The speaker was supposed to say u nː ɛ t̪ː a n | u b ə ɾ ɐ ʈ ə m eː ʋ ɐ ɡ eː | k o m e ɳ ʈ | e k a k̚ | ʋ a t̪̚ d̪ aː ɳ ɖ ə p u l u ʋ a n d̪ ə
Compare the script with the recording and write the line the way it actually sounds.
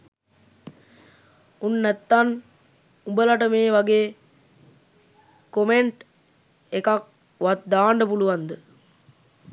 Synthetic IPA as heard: u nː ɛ t̪ː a n | u b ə l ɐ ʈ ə m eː ʋ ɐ ɡ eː | k o m e ɳ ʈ | e k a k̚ | ʋ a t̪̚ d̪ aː ɳ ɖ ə p u l u ʋ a n d̪ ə